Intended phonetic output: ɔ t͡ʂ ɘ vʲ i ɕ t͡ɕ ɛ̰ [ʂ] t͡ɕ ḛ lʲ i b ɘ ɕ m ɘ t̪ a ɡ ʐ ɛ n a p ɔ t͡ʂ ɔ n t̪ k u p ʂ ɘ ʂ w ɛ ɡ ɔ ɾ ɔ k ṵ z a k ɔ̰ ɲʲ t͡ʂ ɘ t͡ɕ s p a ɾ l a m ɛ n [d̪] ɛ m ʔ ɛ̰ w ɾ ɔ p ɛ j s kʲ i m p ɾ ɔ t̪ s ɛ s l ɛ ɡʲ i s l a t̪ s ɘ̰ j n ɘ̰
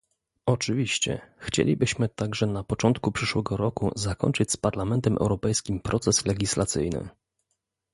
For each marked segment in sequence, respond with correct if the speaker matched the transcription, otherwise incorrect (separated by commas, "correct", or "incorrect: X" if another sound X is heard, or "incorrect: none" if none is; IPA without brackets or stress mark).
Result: incorrect: x, incorrect: t̪